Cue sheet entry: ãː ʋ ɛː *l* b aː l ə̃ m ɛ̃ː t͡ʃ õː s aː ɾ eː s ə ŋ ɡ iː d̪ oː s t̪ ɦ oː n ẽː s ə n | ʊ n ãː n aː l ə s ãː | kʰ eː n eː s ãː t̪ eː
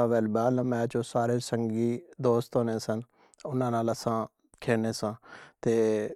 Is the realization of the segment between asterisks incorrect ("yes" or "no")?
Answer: no